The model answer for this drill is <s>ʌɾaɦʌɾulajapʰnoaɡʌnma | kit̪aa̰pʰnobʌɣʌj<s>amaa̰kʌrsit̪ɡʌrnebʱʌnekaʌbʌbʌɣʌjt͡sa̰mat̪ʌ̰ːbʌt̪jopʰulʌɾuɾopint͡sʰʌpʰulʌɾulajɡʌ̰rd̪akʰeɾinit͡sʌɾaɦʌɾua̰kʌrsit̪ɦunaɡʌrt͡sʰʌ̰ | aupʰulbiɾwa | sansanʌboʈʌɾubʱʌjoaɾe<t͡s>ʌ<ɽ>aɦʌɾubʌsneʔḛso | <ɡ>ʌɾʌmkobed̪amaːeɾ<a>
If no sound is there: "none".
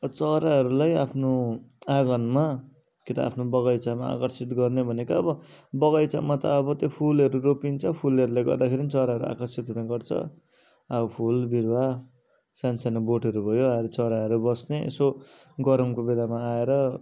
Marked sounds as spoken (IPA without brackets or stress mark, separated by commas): t͡s, t͡s, t͡s, ɾ, ɡ, ʌ